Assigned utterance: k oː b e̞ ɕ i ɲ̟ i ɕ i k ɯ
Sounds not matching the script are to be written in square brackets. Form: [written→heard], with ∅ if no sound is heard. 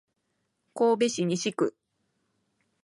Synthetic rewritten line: k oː b e̞ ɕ i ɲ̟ i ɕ i k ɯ